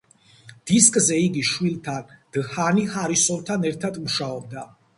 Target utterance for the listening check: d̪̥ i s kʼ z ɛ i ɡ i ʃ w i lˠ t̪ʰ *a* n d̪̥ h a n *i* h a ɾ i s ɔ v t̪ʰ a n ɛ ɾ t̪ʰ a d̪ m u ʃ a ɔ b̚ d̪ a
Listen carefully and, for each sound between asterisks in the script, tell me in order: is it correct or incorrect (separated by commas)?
correct, correct